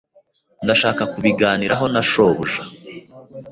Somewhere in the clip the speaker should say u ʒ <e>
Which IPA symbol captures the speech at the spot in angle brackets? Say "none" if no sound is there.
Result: a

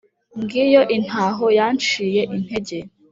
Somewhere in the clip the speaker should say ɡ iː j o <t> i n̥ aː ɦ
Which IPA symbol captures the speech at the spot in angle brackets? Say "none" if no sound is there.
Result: ʔ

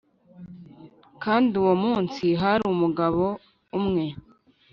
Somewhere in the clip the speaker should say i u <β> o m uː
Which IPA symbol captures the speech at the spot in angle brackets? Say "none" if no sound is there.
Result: w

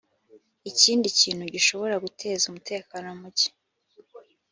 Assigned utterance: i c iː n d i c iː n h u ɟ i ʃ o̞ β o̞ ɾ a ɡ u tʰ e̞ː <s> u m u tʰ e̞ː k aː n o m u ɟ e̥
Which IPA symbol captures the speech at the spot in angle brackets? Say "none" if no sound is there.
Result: z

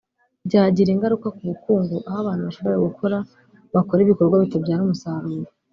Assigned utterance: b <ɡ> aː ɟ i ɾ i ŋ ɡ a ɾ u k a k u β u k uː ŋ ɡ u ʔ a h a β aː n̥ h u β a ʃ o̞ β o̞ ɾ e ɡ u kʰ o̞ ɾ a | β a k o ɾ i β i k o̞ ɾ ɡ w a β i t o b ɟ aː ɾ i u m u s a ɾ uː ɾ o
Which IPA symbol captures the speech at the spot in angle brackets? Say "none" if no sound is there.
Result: ɟ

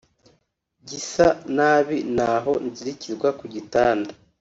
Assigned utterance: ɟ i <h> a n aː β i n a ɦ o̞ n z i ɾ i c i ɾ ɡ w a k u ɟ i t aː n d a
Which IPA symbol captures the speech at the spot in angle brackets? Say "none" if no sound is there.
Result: s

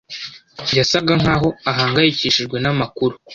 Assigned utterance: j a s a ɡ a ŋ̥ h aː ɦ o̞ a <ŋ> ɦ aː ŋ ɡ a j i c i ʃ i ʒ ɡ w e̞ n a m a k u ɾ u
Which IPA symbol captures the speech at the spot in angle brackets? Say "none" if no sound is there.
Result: none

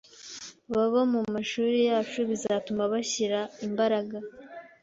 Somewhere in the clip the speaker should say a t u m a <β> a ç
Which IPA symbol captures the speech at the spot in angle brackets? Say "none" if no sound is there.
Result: β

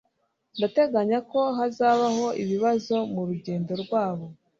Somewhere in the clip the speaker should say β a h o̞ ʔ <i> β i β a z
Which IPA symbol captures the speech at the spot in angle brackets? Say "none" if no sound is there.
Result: i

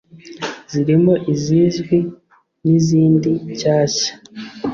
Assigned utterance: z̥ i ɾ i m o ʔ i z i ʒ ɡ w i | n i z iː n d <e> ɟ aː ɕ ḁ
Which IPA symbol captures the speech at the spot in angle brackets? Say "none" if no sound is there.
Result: i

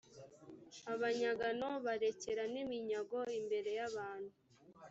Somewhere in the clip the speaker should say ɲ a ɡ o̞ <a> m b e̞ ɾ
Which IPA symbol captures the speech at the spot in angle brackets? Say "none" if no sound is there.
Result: i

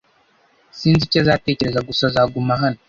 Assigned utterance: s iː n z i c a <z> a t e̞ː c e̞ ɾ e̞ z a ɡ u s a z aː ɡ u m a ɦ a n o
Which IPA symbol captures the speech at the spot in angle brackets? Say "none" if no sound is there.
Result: z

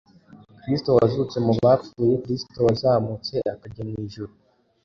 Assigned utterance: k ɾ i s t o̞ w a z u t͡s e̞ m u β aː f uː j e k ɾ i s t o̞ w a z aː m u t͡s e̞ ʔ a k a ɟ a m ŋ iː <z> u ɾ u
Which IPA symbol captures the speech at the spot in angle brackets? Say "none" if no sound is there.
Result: ʒ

